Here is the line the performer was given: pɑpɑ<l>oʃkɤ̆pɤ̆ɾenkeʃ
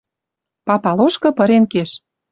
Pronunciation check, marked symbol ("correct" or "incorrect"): correct